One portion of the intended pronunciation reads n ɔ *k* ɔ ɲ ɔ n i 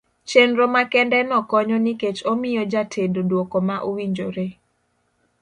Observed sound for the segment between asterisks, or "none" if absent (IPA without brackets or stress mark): k